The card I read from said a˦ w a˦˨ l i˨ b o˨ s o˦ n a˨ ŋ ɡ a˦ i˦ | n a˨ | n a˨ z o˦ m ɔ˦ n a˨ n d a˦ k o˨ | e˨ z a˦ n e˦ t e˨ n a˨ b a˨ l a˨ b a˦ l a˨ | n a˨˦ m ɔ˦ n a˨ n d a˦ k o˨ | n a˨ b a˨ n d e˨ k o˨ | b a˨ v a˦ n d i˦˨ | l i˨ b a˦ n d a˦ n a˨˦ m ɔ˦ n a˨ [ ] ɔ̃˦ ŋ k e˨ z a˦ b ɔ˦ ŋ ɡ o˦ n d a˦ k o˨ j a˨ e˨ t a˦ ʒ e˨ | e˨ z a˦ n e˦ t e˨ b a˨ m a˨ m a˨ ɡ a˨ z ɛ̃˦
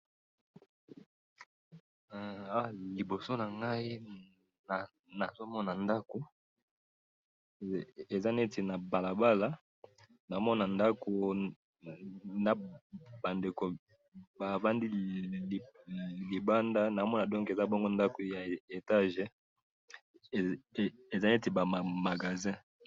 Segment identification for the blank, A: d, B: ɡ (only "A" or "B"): A